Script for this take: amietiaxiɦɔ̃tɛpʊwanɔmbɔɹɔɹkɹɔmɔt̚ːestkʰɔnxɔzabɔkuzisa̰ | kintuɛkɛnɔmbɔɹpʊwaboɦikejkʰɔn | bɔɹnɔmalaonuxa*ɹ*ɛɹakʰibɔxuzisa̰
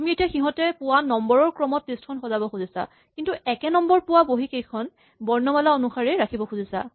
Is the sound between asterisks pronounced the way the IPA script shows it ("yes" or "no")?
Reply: yes